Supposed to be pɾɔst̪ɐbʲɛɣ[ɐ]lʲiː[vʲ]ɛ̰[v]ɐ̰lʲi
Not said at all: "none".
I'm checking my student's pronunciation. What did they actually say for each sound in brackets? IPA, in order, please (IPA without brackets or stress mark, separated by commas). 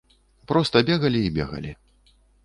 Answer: ɐ, bʲ, ɣ